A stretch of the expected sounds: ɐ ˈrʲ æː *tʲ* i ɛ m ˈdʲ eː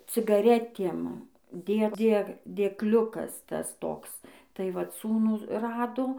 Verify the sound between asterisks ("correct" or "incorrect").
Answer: correct